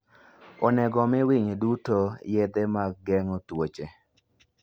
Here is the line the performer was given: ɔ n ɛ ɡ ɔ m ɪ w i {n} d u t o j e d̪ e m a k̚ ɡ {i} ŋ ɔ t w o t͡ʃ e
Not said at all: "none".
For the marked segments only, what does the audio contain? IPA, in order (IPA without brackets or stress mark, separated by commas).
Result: ɲ, ɛ